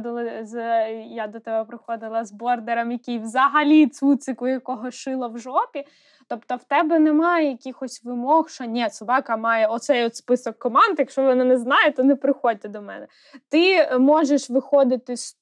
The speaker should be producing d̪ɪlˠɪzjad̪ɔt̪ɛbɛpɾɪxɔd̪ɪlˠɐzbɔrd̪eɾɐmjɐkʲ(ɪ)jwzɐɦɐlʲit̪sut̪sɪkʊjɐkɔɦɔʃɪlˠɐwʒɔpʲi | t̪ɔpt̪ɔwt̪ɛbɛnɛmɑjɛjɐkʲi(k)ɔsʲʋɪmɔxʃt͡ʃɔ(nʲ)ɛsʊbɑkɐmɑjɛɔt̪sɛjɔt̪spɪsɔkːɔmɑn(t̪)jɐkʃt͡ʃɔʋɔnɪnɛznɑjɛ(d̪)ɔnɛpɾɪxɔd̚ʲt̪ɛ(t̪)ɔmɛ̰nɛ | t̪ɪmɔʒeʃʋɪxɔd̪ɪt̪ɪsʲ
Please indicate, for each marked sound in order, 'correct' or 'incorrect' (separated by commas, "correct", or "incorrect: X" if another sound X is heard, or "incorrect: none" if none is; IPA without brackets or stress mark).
incorrect: i, incorrect: x, correct, incorrect: d̪, incorrect: t̪, incorrect: d̪